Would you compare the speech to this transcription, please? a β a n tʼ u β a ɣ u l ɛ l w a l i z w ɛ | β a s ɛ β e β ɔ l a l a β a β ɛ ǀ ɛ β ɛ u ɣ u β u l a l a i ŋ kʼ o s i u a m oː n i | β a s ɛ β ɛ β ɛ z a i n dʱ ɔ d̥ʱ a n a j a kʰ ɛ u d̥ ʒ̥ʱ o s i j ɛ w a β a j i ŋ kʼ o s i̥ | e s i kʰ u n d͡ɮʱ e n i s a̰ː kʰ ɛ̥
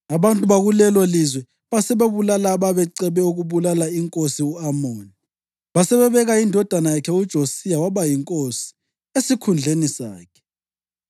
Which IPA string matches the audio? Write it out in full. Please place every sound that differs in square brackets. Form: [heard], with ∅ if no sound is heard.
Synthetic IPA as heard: a β a n tʼ u β a ɣ u l ɛ l w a l i z w ɛ | β a s ɛ β e β [u] l a l a β a β ɛ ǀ ɛ β ɛ u ɣ u β u l a l a i ŋ kʼ o s i u a m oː n i | β a s ɛ β ɛ β ɛ [ɣ] a i n dʱ ɔ d̥ʱ a n a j a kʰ ɛ u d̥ ʒ̥ʱ o s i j [a] w a β a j i ŋ kʼ o s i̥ | e s i kʰ u n d͡ɮʱ e n i s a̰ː kʰ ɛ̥